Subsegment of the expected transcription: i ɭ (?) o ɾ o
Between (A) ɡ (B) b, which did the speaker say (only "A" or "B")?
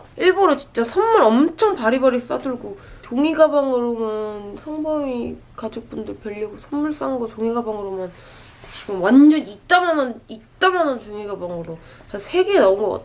B